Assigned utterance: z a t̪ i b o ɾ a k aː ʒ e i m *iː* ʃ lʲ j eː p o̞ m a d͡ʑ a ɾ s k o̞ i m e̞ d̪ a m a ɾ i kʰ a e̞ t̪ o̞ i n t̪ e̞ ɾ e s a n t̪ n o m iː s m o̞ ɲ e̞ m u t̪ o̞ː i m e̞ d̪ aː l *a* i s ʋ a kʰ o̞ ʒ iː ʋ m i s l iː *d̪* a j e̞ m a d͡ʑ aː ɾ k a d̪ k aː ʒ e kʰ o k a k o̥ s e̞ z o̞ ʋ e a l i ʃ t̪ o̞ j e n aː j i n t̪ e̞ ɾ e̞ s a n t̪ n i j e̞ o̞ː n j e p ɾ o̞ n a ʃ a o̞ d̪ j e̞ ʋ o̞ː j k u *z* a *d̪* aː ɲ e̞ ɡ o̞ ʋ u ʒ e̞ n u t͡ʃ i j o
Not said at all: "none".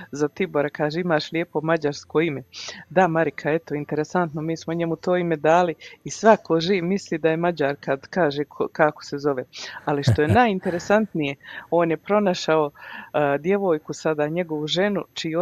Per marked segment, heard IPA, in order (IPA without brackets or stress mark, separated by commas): aː, i, d̪, s, d̪